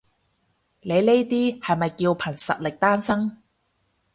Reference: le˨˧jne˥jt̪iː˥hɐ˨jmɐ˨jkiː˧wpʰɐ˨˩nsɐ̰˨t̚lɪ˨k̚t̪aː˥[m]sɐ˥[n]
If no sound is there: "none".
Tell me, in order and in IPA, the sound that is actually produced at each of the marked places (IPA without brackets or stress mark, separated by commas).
n, ŋ